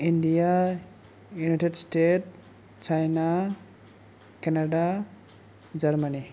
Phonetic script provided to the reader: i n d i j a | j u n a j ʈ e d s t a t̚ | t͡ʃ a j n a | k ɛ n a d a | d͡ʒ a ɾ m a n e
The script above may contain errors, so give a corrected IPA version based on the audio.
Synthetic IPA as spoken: i n d i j a | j u n a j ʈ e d s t e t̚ | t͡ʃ a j n a | k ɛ n a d a | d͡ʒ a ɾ m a n i

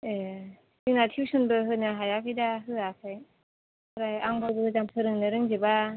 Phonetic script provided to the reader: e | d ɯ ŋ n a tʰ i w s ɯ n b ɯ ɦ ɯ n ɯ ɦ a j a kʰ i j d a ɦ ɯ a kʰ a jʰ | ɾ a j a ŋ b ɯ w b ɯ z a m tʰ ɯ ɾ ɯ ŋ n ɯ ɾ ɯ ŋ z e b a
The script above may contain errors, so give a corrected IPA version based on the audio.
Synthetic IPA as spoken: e | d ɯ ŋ n a tʰ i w s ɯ n b ɯ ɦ ɯ n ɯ ɦ a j a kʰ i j d a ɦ ɯ a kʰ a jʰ | ɾ a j a ŋ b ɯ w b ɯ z a m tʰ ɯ ɾ ɯ ŋ n ɯ ɾ ɯ ŋ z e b a

